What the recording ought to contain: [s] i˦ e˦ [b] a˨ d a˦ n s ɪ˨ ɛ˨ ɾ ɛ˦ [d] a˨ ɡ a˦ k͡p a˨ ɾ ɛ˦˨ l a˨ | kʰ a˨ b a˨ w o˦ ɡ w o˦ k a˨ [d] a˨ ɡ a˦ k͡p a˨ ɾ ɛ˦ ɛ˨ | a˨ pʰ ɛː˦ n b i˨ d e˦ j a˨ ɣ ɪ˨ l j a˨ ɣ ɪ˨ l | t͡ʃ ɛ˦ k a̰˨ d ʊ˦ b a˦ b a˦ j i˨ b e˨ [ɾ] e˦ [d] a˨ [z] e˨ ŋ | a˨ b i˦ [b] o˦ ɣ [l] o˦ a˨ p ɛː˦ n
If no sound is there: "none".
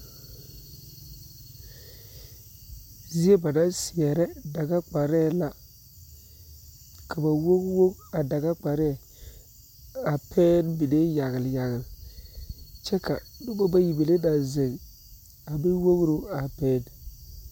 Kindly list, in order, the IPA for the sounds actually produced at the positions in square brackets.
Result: z, b, d, d, l, d, z, w, ɾ

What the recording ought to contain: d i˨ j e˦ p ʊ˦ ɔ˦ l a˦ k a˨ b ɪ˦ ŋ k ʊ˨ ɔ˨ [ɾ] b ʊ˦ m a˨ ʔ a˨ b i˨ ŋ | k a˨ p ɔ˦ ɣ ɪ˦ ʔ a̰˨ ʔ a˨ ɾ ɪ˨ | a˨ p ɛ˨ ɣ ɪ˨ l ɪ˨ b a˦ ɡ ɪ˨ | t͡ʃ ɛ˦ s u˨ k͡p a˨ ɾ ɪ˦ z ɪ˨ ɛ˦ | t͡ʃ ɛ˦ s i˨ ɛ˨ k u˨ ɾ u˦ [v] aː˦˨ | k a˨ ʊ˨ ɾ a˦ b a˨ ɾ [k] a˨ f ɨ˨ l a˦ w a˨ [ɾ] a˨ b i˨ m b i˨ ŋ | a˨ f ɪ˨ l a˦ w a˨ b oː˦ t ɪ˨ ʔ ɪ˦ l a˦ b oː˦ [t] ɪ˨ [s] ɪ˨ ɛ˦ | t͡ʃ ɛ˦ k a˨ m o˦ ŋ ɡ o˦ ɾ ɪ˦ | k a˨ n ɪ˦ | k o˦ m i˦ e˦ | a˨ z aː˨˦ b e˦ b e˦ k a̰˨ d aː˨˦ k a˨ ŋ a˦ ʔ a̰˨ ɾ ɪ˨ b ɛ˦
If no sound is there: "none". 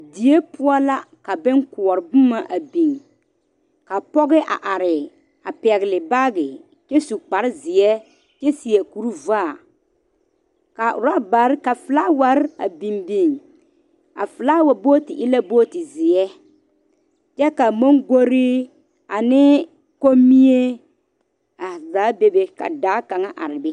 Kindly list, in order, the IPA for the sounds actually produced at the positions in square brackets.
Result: ɾ, v, k, ɾ, t, z

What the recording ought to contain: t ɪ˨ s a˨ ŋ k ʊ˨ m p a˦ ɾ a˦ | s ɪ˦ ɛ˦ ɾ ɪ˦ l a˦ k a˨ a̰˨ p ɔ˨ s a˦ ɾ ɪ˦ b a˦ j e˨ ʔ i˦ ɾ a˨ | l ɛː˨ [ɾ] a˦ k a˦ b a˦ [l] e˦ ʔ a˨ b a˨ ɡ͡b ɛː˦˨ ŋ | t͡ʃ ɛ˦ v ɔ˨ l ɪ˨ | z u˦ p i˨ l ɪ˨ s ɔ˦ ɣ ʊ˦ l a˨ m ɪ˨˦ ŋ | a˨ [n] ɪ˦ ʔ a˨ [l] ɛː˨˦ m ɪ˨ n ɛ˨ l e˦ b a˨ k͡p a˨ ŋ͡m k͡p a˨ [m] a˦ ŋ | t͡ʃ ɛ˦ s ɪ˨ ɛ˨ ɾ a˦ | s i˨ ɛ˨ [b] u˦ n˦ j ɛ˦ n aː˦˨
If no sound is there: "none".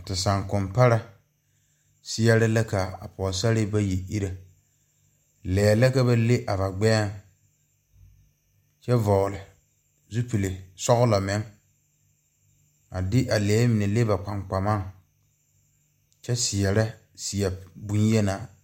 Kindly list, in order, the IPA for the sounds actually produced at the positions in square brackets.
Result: l, l, d, l, m, b

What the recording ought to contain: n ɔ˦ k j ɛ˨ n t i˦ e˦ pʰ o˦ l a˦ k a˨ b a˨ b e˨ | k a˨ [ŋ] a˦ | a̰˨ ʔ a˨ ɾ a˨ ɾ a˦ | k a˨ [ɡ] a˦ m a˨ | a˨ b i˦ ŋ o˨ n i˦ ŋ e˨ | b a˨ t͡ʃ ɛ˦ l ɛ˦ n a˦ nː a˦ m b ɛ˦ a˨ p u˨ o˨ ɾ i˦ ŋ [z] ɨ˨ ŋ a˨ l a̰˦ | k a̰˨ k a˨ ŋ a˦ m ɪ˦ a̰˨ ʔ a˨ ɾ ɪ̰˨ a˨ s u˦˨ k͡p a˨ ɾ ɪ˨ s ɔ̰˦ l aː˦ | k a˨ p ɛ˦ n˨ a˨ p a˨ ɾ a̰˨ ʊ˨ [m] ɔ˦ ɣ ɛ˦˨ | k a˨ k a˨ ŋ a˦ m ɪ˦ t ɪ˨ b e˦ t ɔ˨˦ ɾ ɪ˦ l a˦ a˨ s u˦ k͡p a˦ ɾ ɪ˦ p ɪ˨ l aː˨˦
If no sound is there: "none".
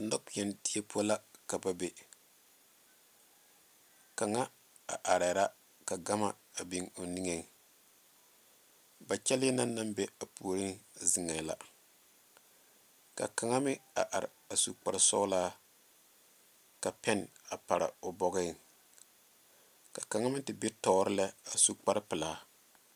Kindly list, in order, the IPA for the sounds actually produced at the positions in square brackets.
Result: ŋ, ɡ, z, b

